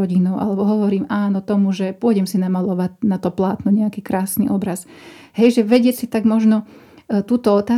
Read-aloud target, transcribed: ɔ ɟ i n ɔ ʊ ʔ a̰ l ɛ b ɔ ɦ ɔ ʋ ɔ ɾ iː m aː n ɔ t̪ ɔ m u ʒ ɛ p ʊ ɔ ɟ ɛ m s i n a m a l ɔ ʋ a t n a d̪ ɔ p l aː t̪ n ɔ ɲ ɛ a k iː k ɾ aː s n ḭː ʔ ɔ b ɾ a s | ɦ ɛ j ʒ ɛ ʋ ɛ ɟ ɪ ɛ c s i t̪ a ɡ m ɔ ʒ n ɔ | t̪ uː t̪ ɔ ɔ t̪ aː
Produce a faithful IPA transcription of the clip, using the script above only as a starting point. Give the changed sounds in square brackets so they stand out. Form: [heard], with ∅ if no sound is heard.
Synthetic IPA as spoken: ɔ ɟ i n ɔ ʊ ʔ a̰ l ɛ b ɔ ɦ ɔ ʋ ɔ ɾ iː m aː n ɔ t̪ ɔ m u ʒ ɛ p ʊ ɔ ɟ ɛ m s i n a m a l ɔ ʋ a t n a [t̪] ɔ p l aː t̪ n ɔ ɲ ɛ a k iː k ɾ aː s n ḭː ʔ ɔ b ɾ a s | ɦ ɛ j ʒ ɛ ʋ ɛ ɟ ɪ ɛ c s i t̪ a ɡ m ɔ ʒ n ɔ | t̪ uː t̪ ɔ ɔ t̪ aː